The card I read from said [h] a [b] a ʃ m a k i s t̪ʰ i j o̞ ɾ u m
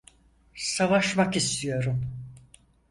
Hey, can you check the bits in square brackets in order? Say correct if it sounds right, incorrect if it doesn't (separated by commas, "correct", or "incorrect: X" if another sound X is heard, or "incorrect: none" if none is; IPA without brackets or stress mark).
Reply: incorrect: s, incorrect: v